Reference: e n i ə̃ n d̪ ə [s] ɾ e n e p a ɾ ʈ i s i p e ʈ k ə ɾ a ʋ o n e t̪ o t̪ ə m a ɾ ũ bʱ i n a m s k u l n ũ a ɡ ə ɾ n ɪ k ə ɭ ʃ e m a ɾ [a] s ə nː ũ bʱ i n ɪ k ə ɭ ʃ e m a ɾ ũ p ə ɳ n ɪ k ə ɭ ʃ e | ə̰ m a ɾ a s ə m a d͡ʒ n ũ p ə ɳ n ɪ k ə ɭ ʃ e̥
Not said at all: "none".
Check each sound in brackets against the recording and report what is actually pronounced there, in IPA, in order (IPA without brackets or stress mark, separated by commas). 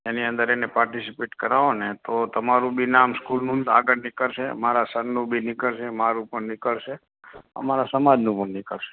none, a